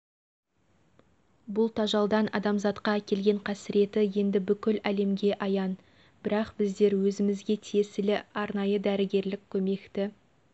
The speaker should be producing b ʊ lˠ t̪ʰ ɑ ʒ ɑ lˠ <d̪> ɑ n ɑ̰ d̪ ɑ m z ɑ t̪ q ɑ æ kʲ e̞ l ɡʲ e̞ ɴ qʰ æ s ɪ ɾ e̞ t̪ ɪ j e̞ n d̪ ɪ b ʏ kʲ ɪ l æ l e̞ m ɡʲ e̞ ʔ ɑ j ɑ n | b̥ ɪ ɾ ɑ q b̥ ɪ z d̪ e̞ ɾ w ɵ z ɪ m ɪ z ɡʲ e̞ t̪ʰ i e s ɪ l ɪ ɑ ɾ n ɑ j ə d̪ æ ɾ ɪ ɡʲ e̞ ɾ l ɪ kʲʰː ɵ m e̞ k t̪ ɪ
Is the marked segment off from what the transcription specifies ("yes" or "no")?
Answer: no